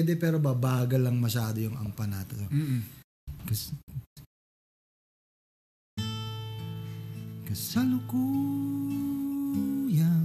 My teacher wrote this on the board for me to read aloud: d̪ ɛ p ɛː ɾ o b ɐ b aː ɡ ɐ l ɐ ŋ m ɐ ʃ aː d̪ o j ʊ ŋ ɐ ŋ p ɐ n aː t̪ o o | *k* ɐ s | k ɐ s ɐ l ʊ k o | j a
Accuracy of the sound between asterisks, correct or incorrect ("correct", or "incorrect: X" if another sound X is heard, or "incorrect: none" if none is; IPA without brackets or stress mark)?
correct